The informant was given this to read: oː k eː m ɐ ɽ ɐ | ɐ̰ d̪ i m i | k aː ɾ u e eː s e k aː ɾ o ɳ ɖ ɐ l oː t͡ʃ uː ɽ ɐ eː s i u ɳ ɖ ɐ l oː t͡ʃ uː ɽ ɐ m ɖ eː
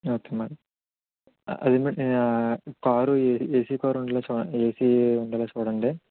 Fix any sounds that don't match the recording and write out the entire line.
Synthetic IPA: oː k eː m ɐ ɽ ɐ | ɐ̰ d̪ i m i | k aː ɾ u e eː s i k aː ɾ u ɳ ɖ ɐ l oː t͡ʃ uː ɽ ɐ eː s i u ɳ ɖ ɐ l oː t͡ʃ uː ɽ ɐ ɳ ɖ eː